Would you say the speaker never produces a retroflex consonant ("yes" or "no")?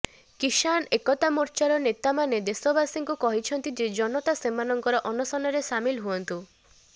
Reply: yes